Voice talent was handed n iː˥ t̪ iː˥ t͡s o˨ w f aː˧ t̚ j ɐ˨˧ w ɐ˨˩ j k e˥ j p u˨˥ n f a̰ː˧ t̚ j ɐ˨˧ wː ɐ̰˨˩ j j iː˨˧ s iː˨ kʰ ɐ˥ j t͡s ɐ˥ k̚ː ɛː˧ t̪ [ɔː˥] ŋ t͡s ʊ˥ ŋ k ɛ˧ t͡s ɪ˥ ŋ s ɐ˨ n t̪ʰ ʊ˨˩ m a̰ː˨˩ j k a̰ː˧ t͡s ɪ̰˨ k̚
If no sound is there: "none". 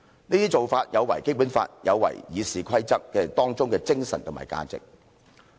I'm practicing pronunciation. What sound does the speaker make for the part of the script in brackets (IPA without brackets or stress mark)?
ɔː˥